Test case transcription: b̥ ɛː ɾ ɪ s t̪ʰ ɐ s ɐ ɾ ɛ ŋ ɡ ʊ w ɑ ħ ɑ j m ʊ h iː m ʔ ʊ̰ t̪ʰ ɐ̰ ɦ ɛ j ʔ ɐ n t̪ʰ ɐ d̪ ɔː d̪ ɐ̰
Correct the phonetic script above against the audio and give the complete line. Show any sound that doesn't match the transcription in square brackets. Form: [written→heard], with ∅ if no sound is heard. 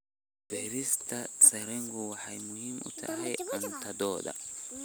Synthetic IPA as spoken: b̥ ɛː ɾ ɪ s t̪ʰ ɐ s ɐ ɾ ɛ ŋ ɡ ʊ w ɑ ħ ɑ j m ʊ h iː m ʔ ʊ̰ t̪ʰ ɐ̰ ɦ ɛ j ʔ ɐ n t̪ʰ ɐ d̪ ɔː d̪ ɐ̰